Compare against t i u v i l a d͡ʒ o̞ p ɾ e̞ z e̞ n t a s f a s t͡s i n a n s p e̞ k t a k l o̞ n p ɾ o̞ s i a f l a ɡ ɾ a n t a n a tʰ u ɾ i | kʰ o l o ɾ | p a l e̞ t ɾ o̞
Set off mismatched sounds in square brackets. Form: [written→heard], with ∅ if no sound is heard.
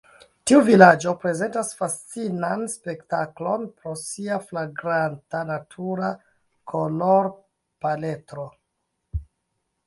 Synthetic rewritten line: t i u v i l a d͡ʒ o̞ p ɾ e̞ z e̞ n t a s f a s t͡s i n a n s p e̞ k t a k l o̞ n p ɾ o̞ s i a f l a ɡ ɾ a n t a n a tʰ u ɾ [i→a] | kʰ o l o ɾ | p a l e̞ t ɾ o̞